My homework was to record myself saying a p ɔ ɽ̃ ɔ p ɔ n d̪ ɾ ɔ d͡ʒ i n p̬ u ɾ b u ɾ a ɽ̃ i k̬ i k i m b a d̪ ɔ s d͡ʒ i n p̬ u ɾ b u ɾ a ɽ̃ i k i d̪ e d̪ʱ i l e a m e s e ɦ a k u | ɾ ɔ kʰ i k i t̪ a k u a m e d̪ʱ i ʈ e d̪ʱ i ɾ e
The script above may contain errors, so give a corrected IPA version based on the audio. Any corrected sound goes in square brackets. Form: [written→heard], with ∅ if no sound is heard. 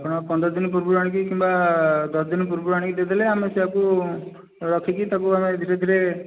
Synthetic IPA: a p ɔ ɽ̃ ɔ p ɔ n d̪ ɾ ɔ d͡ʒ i n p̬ u ɾ b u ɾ a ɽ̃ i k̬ i k i m b a d̪ ɔ s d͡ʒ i n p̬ u ɾ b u ɾ a ɽ̃ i k i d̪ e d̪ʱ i l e a m e s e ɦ a k u | ɾ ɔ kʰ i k i t̪ a k u a m e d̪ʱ i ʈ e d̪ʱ i ɾ e